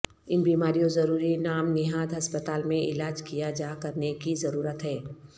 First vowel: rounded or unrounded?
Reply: unrounded